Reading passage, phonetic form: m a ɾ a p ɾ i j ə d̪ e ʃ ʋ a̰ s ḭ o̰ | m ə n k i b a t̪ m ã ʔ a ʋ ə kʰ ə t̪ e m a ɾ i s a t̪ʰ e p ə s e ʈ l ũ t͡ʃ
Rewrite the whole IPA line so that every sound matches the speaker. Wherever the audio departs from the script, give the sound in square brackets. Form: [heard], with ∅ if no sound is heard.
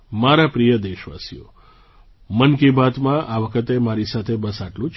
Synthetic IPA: m a ɾ a p ɾ i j ə d̪ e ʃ ʋ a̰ s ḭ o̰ | m ə n k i b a t̪ m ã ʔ a ʋ ə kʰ ə t̪ e m a ɾ i s a t̪ʰ e [b] ə s [a] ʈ l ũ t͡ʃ